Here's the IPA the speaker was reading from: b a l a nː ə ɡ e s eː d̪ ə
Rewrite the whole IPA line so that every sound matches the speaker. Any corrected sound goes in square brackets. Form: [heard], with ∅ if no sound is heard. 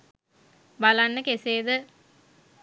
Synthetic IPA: b a l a nː ə [k] e s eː d̪ ə